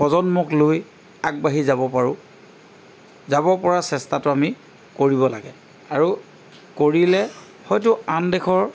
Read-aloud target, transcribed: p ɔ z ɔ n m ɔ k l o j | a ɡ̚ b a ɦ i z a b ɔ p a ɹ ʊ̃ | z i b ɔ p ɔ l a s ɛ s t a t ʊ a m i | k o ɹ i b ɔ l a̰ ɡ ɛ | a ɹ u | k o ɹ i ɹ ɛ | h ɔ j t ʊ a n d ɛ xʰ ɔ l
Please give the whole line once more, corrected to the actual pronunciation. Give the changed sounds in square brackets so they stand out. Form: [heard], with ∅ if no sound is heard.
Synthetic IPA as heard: p ɔ z ɔ n m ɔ k l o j | a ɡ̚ b a ɦ i z a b ɔ p a ɹ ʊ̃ | z [a] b ɔ p ɔ [ɹ] a s ɛ s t a t ʊ a m i | k o ɹ i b ɔ l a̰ ɡ ɛ | a ɹ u | k o ɹ i [l] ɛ | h ɔ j t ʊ a n d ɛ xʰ ɔ [ɹ]